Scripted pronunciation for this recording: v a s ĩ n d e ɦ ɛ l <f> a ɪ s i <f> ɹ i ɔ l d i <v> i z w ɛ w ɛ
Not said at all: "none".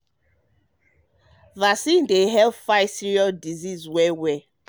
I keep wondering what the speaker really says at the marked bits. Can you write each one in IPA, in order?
f, none, z

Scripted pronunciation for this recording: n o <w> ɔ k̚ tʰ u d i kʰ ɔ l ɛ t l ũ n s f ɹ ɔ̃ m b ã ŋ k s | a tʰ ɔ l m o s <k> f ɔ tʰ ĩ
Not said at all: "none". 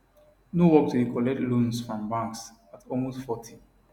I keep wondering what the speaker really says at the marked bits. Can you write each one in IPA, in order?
w, t

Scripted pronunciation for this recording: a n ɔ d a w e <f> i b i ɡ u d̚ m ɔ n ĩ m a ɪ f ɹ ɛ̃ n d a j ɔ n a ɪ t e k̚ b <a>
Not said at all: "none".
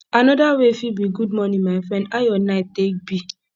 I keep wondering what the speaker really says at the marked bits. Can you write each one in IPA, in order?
f, i

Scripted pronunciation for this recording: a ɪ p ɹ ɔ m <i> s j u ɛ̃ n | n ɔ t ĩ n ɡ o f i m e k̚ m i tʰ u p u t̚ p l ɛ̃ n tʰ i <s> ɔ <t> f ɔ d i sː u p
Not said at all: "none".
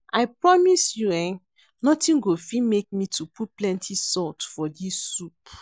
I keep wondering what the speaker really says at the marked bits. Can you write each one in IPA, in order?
i, s, t

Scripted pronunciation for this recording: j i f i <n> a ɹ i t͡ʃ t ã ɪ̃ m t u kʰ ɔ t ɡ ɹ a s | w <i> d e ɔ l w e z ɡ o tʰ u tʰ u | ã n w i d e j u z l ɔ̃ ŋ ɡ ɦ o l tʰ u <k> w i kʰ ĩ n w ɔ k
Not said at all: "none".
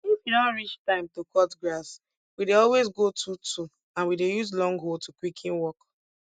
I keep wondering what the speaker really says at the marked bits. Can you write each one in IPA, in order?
n, i, k

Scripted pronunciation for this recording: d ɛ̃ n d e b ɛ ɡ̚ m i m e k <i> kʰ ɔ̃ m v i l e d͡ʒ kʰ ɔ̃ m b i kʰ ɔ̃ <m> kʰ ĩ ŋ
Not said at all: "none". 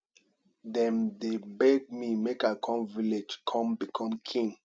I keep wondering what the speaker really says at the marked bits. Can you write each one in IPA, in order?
a, m

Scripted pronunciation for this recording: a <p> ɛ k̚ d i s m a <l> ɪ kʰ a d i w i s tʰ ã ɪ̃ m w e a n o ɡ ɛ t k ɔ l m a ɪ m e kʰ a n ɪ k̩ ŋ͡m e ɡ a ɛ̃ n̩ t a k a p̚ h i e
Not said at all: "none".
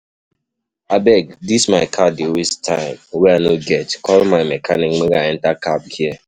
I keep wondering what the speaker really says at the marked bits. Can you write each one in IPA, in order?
b, none

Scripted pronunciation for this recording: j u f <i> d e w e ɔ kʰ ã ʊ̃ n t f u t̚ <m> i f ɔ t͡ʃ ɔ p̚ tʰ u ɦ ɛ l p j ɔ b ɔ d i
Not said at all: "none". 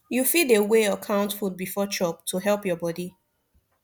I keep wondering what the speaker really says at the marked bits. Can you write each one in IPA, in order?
i, b

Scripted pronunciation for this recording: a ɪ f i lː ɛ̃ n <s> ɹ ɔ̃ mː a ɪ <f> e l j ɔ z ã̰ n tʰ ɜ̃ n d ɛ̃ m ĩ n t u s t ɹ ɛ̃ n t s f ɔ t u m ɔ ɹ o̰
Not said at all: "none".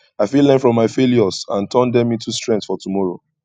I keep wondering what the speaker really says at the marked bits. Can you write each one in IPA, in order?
f, f

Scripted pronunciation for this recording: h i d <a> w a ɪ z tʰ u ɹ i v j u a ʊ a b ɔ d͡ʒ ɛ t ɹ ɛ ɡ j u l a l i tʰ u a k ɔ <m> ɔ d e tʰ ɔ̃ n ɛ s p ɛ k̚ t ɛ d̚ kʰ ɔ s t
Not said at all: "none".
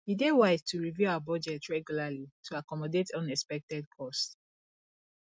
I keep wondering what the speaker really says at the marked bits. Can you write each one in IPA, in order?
e, m

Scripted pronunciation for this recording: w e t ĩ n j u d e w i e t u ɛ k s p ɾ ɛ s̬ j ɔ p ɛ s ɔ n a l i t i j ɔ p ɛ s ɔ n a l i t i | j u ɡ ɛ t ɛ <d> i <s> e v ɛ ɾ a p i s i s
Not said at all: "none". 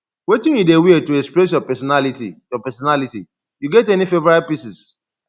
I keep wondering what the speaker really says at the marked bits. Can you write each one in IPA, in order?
n, f

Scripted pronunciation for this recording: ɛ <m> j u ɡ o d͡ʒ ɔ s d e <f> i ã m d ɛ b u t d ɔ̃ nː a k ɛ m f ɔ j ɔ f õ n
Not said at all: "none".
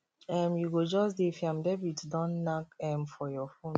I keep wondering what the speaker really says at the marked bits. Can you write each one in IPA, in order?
m, f

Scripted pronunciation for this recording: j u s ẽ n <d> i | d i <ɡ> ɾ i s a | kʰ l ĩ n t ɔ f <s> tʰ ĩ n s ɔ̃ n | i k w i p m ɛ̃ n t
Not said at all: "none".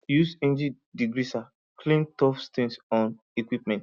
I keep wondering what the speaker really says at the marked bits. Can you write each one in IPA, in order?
d͡ʒ, ɡ, s

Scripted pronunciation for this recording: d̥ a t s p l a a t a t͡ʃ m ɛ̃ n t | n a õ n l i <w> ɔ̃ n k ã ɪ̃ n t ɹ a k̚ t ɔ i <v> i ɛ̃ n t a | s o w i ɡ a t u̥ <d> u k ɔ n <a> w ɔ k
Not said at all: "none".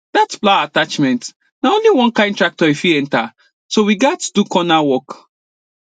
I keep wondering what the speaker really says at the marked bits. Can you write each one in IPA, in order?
w, f, d, a

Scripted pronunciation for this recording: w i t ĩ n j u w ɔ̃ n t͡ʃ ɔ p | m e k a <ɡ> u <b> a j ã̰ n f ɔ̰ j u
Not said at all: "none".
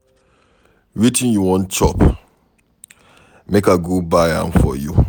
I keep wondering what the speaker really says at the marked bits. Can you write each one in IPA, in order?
ɡ, b

